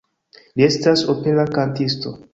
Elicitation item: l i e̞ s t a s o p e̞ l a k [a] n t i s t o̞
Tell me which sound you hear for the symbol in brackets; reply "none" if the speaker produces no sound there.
a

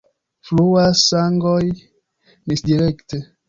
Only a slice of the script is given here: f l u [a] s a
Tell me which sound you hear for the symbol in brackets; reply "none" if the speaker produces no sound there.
a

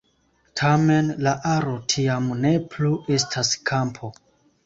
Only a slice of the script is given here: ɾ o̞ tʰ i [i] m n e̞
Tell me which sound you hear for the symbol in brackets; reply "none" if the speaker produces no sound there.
a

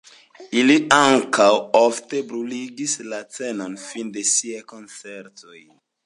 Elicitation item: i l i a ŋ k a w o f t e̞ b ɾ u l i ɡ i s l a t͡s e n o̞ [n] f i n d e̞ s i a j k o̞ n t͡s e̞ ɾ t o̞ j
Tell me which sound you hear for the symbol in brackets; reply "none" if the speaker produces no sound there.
n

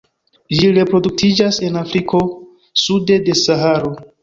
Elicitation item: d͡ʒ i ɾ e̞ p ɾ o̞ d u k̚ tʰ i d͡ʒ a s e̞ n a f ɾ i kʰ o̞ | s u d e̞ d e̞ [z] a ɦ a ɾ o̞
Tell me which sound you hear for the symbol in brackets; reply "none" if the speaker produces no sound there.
s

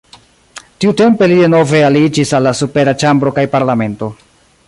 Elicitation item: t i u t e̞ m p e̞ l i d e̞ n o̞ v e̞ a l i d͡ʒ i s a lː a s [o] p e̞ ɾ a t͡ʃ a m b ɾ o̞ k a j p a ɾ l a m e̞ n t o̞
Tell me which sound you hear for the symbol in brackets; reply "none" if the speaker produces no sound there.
u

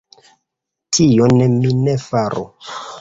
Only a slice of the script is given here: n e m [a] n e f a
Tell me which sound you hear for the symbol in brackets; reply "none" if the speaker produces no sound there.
i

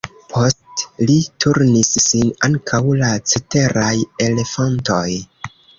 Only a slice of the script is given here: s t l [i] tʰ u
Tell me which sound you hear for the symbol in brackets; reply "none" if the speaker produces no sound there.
i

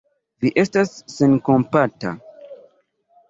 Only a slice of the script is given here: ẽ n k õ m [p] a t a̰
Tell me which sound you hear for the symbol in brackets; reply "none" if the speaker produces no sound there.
p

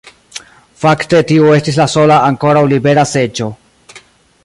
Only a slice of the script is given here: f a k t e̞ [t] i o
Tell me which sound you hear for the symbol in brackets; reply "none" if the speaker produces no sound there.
t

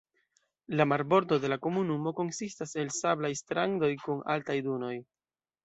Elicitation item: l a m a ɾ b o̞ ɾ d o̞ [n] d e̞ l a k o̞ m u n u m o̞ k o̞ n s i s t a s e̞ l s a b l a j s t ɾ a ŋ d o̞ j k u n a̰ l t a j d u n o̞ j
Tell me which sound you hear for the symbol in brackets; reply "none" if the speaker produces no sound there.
none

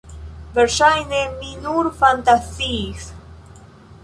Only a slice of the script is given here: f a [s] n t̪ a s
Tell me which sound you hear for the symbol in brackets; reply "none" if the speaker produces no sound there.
none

